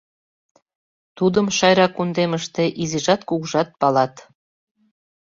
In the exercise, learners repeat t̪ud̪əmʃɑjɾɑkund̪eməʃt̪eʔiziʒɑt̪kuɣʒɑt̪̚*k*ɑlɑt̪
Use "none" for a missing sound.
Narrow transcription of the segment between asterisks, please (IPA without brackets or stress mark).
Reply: p